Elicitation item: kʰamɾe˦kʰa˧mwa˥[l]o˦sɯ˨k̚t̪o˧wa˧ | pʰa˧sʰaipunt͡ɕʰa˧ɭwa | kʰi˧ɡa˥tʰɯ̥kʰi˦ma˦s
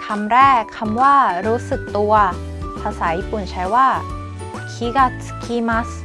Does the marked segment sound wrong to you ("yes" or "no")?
yes